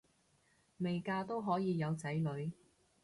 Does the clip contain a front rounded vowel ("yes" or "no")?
no